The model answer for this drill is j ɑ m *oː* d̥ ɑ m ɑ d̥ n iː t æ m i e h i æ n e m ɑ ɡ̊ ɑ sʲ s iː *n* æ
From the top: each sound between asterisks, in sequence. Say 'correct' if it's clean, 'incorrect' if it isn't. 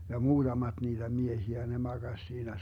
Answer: incorrect: uː, correct

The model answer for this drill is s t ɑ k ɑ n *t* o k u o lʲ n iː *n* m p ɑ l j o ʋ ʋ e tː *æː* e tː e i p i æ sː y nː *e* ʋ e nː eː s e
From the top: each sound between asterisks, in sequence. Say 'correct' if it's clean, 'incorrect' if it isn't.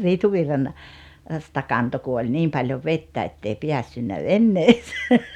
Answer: correct, incorrect: none, incorrect: æ, incorrect: æ

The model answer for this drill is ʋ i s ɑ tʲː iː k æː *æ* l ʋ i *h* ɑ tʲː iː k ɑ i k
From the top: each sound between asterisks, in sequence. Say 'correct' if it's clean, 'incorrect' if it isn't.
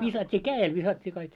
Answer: incorrect: e, incorrect: s

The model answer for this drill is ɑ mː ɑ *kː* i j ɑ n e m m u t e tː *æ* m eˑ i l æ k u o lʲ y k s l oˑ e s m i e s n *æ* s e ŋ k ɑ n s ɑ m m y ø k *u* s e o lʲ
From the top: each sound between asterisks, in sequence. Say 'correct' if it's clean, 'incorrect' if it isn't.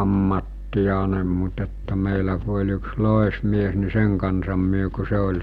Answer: incorrect: tː, correct, incorrect: i, correct

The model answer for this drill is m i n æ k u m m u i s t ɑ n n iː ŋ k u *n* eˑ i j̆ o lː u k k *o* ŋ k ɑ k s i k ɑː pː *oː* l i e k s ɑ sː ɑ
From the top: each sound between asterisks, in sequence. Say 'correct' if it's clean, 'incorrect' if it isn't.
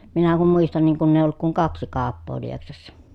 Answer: incorrect: nː, incorrect: u, correct

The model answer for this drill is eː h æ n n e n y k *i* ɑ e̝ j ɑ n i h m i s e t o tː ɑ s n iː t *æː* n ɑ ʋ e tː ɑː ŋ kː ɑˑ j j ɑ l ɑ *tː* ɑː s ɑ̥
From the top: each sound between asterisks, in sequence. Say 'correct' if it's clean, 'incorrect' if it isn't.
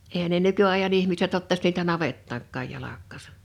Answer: incorrect: y, incorrect: æ, incorrect: kː

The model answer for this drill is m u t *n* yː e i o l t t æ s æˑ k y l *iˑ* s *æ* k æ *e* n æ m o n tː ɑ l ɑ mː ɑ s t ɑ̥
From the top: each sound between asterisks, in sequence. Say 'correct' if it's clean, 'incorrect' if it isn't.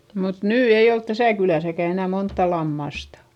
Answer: correct, incorrect: æˑ, correct, correct

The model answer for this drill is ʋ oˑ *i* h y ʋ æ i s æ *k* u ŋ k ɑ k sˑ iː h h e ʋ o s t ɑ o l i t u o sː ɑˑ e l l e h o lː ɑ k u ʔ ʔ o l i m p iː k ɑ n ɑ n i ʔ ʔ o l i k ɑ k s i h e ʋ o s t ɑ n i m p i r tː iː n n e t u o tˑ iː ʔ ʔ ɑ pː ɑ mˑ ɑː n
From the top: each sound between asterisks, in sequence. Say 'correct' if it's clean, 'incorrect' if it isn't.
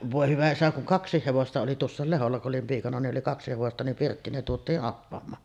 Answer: incorrect: e, correct

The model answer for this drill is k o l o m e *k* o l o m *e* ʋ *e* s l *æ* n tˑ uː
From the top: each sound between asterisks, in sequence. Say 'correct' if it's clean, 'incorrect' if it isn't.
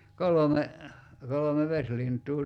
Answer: correct, correct, correct, incorrect: i

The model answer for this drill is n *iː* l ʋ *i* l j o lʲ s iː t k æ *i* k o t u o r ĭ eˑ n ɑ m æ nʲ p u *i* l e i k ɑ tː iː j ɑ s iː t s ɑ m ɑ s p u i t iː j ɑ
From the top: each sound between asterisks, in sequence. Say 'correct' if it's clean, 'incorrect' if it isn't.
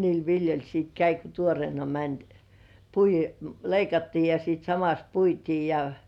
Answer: correct, correct, correct, correct

